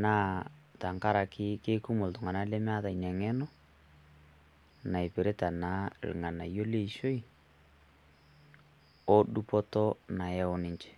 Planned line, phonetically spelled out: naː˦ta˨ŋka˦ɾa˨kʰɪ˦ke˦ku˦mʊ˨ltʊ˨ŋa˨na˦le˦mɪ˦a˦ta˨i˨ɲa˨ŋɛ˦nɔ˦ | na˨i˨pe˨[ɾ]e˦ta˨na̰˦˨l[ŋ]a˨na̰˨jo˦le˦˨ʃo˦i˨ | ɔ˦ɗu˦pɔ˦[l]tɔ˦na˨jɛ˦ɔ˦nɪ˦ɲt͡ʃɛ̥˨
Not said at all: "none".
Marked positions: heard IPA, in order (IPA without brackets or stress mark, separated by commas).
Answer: ɾ, ŋ, none